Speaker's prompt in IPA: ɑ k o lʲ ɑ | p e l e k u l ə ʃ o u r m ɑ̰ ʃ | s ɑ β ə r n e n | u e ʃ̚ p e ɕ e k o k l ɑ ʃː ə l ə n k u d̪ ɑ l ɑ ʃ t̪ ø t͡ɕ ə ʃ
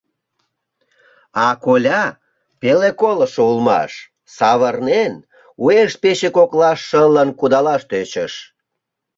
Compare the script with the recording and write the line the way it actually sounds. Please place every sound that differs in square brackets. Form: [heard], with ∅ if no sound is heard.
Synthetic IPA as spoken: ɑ k o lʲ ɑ | p e l e k [o] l ə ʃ o u [l] m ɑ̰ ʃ | s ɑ β ə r n e n | u e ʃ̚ p e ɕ e k o k l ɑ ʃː ə l ə n k u d̪ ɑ l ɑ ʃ t̪ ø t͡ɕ ə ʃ